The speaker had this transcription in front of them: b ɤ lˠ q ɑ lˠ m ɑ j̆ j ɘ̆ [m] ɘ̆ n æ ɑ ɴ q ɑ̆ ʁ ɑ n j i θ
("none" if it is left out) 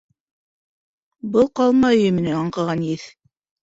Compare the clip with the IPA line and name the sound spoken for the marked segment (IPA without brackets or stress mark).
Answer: m